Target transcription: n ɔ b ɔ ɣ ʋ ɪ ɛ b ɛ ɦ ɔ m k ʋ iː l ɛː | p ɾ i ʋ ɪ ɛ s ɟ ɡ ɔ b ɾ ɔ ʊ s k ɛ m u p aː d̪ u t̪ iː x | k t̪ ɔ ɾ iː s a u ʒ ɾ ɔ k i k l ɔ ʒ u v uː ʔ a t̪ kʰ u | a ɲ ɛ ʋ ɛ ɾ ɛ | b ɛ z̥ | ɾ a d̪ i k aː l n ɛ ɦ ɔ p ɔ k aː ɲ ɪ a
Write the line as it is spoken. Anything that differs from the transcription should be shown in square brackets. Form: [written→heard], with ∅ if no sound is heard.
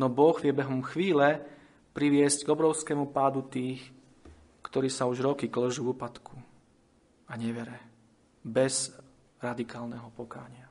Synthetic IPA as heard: n ɔ b ɔ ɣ ʋ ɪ ɛ b ɛ ɦ ɔ m [k→x] ʋ iː l [ɛː→ɛ] | p ɾ i ʋ ɪ ɛ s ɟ ɡ ɔ b ɾ ɔ ʊ s k ɛ m u p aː d̪ u t̪ iː x | k t̪ ɔ ɾ iː s a u ʒ ɾ ɔ k i k l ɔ ʒ u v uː [ʔ→p] a t̪ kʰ u | a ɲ ɛ ʋ ɛ ɾ ɛ | b ɛ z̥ | ɾ a d̪ i k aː l n ɛ ɦ ɔ p ɔ k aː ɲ ɪ a